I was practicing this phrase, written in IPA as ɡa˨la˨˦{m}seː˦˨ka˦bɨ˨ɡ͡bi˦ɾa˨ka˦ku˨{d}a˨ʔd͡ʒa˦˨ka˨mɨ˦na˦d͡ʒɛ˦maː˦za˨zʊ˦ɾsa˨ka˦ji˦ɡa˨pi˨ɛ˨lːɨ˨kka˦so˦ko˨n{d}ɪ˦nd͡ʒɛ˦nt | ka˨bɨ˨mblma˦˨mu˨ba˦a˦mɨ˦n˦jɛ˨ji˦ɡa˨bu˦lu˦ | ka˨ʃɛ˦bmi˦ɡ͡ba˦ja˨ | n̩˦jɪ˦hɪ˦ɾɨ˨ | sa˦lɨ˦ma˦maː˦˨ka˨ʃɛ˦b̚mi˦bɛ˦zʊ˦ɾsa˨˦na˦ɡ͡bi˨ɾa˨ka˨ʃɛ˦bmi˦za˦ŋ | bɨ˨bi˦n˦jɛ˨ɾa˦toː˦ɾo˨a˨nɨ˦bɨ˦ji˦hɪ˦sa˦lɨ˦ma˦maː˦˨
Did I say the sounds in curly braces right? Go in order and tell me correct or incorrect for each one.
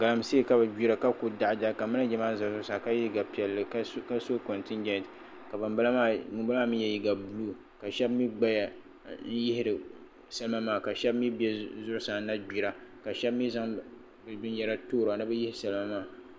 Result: correct, correct, incorrect: t

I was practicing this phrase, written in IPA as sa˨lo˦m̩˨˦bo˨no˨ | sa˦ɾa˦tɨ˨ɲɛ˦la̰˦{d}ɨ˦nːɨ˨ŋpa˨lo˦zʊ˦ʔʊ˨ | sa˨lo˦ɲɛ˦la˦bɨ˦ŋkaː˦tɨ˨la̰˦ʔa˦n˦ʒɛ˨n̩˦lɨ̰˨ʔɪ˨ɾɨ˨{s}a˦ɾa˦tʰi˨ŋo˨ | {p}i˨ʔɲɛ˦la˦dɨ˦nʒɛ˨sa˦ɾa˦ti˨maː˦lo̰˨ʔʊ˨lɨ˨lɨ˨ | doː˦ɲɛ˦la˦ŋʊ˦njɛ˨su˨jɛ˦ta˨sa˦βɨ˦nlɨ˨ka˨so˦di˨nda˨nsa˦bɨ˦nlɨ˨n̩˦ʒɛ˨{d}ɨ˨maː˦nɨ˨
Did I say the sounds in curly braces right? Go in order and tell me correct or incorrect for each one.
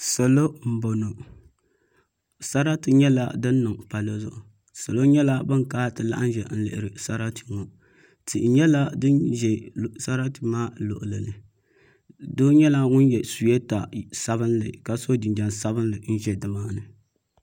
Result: correct, correct, incorrect: t, correct

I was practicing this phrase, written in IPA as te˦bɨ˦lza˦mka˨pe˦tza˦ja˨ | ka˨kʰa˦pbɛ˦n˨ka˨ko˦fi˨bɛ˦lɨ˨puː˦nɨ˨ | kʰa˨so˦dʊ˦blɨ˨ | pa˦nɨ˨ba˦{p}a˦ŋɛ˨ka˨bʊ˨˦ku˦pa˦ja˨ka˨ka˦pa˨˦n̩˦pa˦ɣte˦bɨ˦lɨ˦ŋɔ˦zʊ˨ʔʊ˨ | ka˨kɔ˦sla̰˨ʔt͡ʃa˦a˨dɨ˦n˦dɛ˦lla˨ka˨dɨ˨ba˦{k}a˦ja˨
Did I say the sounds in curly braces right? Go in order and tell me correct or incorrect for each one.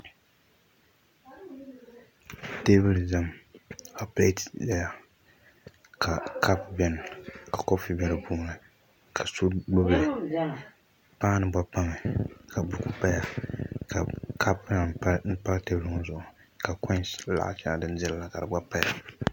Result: correct, incorrect: p

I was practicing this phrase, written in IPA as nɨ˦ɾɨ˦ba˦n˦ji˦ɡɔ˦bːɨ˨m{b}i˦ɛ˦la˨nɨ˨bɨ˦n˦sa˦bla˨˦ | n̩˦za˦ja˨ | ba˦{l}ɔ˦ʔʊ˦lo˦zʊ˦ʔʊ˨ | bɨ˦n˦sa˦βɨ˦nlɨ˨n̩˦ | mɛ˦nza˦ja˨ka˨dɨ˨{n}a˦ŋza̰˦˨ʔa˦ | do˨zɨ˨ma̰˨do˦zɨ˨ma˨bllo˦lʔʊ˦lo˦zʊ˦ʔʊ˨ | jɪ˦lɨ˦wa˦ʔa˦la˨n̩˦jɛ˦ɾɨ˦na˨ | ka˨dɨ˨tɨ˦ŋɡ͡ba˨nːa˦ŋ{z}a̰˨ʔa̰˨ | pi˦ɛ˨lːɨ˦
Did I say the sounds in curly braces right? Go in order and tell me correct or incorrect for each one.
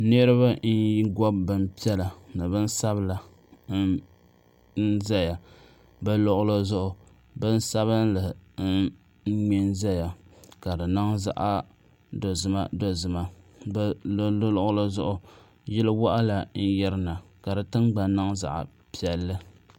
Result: incorrect: p, correct, correct, correct

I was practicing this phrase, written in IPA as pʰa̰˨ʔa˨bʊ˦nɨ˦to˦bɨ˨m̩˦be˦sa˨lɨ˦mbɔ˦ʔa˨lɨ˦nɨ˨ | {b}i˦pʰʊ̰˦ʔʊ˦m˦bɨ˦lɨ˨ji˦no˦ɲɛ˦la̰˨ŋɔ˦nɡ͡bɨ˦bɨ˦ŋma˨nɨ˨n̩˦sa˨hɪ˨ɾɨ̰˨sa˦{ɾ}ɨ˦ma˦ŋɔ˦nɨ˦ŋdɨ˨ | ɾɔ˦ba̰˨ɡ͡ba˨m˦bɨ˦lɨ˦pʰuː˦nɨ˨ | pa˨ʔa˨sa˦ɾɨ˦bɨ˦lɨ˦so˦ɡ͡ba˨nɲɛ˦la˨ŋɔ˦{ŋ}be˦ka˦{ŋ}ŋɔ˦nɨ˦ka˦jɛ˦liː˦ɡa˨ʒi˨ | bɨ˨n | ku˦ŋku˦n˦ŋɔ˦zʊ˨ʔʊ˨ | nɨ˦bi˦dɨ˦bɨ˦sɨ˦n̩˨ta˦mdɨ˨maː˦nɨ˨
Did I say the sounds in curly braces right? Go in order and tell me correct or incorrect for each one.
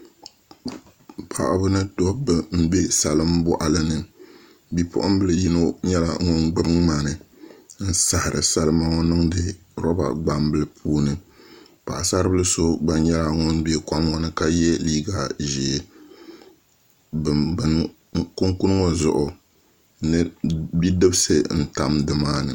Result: correct, incorrect: l, incorrect: n, incorrect: m

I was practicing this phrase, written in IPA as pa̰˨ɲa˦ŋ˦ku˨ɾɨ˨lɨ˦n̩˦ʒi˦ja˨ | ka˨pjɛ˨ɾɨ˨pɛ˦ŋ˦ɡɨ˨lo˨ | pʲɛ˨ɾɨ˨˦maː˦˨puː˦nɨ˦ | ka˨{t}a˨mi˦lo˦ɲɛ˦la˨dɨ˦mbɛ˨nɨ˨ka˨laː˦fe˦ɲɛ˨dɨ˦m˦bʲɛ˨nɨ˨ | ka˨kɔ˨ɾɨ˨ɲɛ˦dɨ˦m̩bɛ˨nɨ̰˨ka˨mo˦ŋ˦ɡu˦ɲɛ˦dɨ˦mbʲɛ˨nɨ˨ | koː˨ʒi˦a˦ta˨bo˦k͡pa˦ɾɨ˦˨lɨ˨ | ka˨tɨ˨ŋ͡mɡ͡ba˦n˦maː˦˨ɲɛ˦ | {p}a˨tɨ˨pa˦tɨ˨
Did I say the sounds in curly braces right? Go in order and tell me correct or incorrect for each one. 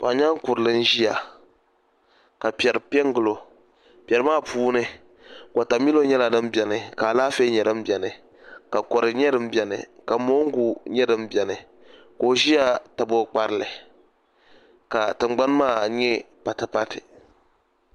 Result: correct, correct

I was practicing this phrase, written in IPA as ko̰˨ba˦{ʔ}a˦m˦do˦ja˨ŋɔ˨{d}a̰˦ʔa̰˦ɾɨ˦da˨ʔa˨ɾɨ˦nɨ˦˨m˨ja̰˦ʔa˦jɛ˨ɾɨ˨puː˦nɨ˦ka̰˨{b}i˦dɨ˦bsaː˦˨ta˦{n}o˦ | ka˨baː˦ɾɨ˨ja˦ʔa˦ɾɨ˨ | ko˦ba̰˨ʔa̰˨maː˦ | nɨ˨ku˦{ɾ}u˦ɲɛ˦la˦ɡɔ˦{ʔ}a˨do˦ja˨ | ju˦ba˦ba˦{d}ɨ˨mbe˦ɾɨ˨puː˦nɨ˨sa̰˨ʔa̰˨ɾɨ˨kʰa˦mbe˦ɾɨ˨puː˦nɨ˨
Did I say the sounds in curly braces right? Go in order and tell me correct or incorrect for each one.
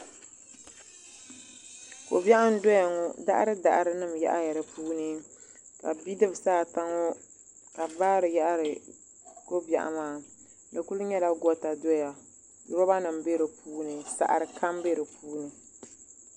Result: correct, correct, correct, incorrect: ŋ, incorrect: l, incorrect: t, incorrect: n

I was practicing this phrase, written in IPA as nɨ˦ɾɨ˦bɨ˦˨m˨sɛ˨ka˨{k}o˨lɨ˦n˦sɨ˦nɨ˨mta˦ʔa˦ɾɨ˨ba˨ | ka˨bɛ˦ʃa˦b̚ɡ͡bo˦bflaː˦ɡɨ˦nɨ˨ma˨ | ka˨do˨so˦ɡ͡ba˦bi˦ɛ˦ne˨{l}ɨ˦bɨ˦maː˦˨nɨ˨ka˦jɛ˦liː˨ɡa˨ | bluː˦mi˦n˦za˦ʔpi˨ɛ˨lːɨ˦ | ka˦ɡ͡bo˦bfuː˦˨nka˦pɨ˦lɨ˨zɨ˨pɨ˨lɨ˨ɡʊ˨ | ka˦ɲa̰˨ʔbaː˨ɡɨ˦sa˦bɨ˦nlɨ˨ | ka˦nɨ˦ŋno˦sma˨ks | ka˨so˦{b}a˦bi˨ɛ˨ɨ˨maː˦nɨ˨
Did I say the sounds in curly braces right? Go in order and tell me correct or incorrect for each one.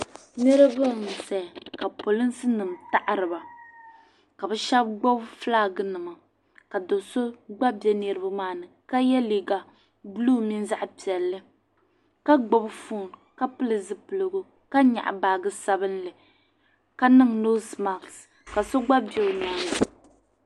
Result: incorrect: p, incorrect: ɾ, incorrect: ɡ͡b

